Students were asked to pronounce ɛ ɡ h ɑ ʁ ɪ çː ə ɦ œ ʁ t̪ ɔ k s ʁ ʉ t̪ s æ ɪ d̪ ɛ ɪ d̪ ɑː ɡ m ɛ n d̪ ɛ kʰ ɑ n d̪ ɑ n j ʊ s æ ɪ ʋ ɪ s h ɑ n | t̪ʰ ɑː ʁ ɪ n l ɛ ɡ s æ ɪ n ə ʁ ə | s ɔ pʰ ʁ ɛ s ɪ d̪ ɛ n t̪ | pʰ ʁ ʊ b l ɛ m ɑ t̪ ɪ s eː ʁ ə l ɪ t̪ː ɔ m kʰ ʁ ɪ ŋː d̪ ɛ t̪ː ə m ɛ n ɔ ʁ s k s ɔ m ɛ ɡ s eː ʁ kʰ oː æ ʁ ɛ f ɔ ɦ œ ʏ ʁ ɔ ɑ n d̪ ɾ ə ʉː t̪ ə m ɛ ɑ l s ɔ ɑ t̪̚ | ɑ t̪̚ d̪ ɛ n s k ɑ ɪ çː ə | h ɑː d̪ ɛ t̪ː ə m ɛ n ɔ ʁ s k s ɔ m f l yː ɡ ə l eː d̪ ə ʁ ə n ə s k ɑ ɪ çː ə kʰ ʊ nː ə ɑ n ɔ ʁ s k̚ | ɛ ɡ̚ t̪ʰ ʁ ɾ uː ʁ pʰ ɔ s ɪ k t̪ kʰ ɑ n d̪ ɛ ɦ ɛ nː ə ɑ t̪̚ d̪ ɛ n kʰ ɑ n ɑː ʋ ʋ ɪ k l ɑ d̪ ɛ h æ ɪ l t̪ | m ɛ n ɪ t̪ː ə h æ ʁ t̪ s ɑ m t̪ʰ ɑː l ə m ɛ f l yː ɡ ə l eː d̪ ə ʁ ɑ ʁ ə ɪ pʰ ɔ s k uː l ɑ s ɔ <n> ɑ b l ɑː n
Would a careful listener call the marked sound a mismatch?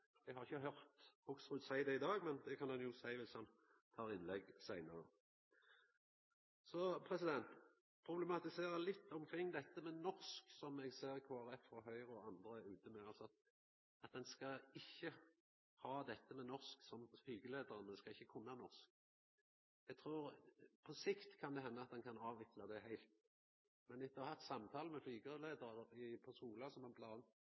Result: yes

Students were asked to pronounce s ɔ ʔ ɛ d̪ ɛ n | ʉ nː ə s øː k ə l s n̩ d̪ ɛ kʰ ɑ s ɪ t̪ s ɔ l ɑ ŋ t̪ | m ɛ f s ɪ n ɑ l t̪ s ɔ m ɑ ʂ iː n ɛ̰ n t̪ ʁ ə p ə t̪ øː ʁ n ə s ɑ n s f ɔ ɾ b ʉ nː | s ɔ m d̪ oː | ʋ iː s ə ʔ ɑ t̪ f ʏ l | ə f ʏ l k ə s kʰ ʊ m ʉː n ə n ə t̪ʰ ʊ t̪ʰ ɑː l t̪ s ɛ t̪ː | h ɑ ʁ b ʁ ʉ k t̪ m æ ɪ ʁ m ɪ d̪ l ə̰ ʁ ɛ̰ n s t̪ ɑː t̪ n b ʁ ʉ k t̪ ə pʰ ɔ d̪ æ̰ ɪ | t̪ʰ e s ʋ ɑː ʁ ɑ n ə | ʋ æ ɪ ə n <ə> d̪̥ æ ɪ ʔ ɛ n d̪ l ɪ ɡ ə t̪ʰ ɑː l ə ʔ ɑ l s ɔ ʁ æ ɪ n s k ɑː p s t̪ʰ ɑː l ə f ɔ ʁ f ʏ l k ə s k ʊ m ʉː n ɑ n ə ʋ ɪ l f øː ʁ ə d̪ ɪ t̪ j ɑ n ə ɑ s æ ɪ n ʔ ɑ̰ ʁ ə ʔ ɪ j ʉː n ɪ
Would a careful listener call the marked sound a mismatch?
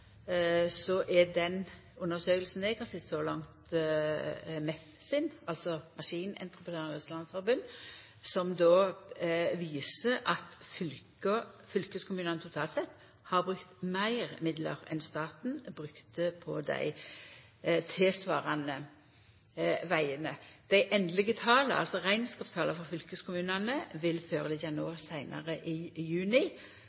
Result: no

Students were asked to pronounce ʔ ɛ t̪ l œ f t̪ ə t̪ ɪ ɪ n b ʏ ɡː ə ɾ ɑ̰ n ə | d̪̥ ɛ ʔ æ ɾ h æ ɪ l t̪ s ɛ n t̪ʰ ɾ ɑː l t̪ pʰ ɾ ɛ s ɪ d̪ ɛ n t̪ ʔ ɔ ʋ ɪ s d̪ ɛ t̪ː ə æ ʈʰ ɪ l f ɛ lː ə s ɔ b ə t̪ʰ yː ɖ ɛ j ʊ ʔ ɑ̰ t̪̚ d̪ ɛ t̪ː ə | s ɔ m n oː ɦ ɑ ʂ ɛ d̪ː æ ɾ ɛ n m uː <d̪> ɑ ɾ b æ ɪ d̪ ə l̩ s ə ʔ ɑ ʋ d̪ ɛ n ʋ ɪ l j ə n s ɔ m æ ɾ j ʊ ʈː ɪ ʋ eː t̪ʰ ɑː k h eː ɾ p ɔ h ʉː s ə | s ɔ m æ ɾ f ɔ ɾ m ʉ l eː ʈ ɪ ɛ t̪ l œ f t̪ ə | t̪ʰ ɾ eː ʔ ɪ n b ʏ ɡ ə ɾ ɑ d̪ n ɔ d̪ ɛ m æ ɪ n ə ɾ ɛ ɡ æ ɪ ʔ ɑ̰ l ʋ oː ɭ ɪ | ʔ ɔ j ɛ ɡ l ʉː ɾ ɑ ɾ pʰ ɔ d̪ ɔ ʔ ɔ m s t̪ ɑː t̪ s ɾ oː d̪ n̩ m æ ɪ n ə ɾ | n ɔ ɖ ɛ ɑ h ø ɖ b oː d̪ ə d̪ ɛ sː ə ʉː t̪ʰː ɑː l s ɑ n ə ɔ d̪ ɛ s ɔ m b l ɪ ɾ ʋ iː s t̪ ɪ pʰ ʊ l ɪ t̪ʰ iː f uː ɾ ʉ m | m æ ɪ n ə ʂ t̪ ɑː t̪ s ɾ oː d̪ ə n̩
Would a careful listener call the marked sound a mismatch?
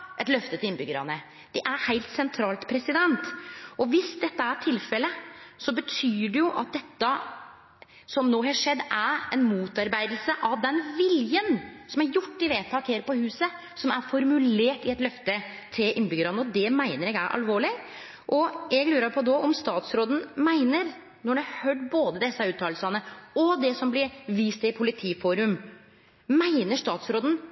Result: yes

